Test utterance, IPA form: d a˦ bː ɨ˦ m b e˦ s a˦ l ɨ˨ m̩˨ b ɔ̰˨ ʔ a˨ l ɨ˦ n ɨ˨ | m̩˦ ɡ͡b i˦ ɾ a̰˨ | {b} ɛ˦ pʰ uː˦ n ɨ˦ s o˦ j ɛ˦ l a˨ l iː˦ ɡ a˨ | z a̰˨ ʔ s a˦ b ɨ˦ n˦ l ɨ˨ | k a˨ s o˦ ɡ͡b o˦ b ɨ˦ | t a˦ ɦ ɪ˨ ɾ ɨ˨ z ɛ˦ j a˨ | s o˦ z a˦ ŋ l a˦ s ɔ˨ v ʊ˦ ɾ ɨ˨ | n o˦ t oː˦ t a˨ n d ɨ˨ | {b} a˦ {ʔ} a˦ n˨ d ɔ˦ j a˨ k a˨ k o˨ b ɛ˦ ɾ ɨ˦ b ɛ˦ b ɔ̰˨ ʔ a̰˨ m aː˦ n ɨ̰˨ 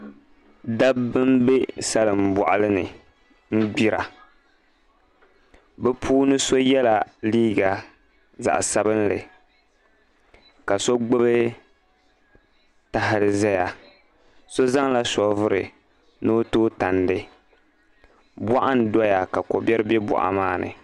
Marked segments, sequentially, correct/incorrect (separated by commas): correct, correct, correct